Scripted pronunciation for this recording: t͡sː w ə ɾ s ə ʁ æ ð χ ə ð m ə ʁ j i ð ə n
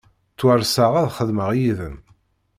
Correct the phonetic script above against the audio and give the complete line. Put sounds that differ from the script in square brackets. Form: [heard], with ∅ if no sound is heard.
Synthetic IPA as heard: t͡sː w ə ɾ s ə ʁ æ ð χ ə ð m ə ʁ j i ð ə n